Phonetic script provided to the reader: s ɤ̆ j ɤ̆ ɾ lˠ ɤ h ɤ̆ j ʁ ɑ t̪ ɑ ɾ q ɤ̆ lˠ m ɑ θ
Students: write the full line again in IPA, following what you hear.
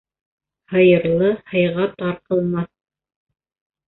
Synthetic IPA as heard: h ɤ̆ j ɤ̆ ɾ lˠ ɤ h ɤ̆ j ʁ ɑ t̪ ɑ ɾ q ɤ̆ lˠ m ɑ θ